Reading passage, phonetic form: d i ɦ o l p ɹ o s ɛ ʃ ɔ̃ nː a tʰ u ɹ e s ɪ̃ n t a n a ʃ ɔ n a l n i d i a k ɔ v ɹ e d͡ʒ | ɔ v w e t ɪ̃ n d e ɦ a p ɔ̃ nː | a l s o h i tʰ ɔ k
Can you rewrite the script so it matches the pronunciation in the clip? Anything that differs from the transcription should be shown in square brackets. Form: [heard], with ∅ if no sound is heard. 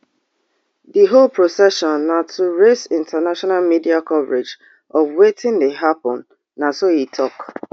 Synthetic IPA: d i ɦ o l p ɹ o s ɛ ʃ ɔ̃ nː a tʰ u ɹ e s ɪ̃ n t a n a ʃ ɔ n a l [m] i d i a k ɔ v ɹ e d͡ʒ | ɔ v w e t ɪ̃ n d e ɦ a p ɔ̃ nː | a [∅] s o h i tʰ ɔ k